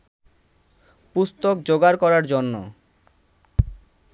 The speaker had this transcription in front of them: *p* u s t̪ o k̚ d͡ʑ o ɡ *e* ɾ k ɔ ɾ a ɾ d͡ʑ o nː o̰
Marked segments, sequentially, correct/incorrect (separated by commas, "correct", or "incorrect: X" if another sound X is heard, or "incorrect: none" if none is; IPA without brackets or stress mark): correct, incorrect: a